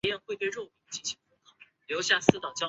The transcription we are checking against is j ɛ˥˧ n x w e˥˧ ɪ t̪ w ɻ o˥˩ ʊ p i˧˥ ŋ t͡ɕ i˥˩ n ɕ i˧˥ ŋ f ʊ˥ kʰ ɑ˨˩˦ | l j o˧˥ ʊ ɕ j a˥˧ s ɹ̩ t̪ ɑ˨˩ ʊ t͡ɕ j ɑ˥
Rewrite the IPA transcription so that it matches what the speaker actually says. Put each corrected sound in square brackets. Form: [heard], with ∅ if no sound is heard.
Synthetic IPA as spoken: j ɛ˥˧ n x w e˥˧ ɪ t̪ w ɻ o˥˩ ʊ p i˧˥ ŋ t͡ɕ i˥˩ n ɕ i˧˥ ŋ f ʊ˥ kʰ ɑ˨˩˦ | l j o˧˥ ʊ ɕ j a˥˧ s ɹ̩ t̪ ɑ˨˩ ʊ t͡ɕ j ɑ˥